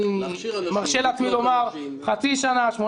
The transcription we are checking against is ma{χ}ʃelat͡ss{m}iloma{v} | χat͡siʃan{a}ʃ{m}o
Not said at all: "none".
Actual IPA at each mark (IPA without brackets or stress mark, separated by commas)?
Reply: ʁ, m, ʁ, a, m